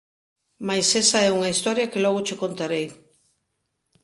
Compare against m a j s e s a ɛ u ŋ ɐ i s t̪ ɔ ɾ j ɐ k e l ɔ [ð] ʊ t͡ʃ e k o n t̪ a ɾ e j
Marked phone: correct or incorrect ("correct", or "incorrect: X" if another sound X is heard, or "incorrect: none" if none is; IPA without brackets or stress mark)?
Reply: incorrect: ɣ